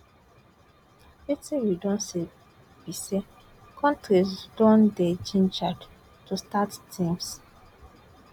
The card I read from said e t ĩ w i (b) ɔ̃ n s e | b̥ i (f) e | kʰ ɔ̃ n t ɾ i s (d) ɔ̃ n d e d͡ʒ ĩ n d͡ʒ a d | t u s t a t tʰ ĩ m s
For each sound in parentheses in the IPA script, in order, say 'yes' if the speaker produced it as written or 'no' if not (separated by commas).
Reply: no, no, yes